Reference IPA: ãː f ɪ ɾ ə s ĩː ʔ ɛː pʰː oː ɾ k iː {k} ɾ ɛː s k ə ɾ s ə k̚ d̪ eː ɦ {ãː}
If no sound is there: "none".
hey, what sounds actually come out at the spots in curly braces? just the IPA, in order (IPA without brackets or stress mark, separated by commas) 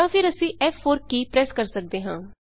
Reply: p, ãː